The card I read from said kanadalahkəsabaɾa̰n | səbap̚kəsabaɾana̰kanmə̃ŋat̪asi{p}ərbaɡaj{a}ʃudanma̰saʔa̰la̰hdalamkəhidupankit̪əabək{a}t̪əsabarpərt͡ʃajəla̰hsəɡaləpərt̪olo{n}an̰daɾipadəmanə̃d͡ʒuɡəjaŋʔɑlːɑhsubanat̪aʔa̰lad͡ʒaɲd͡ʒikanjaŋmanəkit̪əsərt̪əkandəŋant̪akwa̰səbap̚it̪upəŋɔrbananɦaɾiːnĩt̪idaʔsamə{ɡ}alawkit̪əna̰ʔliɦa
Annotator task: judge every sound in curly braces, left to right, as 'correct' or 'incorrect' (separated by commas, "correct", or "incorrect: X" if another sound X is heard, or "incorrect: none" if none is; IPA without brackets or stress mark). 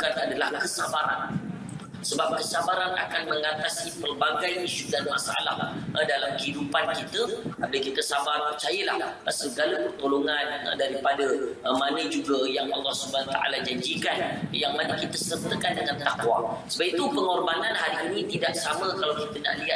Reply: correct, incorrect: i, incorrect: i, incorrect: ŋ, incorrect: k